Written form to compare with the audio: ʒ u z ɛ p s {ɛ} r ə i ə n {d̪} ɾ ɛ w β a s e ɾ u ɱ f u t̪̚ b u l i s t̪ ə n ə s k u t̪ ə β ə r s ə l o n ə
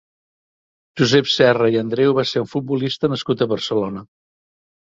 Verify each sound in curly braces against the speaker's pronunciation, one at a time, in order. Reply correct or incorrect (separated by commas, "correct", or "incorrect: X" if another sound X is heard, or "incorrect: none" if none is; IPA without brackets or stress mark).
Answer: correct, correct